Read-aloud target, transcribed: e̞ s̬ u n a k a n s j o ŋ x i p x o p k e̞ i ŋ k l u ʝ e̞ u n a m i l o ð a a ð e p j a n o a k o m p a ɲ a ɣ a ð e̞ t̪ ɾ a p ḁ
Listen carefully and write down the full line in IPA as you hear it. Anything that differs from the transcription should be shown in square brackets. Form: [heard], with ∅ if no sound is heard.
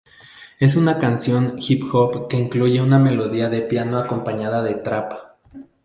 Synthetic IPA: e̞ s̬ u n a k a n s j o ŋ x i p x o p k e̞ i ŋ k l u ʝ e̞ u n a m [e] l o ð [i] a ð e p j a n o a k o m p a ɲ a [ð] a ð e̞ t̪ ɾ a p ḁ